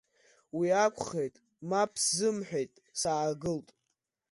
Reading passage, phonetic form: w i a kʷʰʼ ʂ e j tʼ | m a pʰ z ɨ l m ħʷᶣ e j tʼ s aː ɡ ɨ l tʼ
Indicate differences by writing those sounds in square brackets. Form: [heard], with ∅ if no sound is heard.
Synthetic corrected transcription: w i a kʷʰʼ [χ] e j tʼ | m a pʰ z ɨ [∅] m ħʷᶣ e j tʼ s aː ɡ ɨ l tʼ